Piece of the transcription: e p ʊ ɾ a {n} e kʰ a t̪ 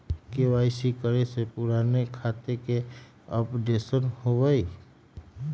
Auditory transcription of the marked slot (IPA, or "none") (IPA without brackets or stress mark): n